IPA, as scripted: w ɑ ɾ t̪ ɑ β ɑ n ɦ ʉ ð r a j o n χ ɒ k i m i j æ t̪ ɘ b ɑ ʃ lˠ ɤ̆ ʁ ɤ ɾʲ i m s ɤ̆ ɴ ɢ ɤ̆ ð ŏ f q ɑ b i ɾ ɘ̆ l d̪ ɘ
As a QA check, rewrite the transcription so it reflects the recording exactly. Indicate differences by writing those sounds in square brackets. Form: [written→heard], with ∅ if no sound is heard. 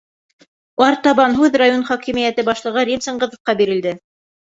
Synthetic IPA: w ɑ ɾ t̪ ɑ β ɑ n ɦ ʉ ð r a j o n χ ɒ k i m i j æ t̪ ɘ b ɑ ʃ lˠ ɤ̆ ʁ ɤ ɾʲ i m s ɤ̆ ɴ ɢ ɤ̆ ð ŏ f q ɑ b i ɾ ɘ̆ l d̪ ɘ